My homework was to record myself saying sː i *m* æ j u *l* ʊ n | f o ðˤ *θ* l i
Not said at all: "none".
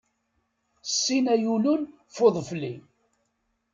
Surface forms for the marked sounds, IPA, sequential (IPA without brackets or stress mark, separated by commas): n, l, f